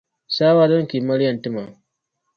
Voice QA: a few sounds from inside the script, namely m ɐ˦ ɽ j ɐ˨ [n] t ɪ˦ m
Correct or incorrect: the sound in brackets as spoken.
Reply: correct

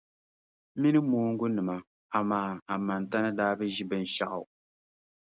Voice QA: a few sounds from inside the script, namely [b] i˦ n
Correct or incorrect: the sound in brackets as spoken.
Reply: incorrect: m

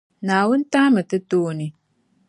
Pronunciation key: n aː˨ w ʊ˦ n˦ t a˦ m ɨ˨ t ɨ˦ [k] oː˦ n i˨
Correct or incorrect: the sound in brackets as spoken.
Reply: incorrect: t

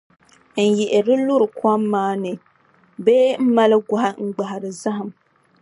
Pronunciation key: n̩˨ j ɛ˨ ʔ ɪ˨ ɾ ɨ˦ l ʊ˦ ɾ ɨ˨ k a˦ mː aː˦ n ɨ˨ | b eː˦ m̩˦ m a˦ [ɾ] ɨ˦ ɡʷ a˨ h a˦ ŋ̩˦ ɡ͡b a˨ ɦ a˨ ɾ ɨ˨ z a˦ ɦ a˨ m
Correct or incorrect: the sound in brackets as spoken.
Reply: incorrect: l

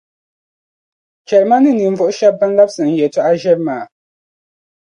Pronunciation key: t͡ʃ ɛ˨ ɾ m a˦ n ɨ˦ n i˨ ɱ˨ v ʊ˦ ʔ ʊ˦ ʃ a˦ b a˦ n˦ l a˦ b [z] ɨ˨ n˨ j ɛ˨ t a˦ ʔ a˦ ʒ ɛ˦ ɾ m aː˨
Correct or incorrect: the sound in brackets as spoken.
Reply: incorrect: s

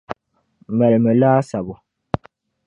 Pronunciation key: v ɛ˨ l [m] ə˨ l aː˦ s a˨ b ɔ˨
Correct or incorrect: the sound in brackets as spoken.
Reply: correct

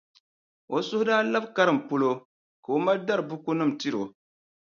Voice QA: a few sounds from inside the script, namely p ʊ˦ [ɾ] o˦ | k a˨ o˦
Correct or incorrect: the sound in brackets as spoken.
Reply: incorrect: l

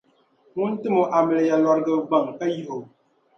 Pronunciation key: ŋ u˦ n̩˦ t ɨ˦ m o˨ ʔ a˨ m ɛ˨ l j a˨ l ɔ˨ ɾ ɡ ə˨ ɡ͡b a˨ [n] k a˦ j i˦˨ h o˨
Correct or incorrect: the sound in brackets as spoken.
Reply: incorrect: ŋ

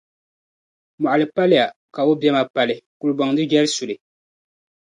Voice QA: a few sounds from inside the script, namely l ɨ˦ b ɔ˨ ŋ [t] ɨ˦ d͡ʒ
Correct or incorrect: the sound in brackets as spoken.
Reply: incorrect: d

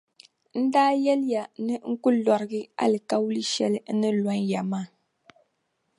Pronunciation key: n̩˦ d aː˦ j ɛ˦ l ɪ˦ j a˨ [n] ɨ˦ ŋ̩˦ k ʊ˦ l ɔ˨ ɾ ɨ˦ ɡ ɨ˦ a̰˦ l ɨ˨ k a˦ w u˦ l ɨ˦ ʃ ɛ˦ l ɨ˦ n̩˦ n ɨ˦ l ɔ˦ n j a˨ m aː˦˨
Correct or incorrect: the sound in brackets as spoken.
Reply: correct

